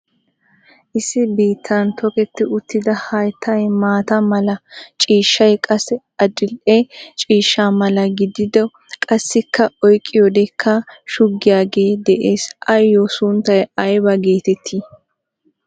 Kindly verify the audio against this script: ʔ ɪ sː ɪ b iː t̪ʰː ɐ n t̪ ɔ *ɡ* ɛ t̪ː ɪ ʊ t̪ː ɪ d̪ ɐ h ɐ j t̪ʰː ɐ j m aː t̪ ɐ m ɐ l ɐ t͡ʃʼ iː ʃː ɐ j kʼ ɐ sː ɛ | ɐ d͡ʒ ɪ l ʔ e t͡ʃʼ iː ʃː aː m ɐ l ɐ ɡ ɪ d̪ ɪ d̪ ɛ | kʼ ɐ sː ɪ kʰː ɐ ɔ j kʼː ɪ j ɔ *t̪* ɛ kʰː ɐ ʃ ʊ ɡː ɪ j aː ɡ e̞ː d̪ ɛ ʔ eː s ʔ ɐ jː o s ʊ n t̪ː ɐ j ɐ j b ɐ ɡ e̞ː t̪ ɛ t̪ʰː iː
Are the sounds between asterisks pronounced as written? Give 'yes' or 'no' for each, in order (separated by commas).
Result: no, no